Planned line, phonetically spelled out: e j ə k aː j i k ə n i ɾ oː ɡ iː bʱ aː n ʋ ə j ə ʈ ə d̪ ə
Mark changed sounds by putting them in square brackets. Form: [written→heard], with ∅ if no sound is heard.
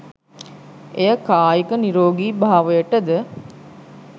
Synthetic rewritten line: e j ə k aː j i k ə n i ɾ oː ɡ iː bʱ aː [n→∅] ʋ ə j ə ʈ ə d̪ ə